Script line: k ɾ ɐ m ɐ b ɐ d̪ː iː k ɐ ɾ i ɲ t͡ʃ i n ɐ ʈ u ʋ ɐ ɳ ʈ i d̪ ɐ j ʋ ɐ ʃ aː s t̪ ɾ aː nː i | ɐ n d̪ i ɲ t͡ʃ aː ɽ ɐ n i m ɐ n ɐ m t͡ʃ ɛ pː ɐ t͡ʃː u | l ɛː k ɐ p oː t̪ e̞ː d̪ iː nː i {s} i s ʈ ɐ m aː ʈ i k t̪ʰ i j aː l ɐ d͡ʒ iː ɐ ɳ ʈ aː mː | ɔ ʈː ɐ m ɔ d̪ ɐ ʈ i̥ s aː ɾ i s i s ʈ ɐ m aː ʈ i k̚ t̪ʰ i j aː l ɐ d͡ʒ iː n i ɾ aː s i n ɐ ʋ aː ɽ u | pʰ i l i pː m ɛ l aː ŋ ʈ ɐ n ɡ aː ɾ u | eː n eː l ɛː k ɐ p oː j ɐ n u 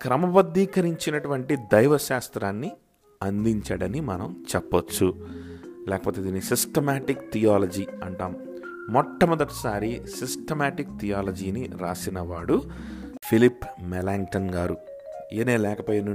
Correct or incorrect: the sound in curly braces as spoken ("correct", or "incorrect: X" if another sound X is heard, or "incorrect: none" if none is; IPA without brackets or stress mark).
correct